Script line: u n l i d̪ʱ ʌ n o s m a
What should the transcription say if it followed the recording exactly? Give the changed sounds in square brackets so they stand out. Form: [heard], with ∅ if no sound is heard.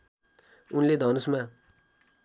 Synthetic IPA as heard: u n l [e] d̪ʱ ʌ n [u] s m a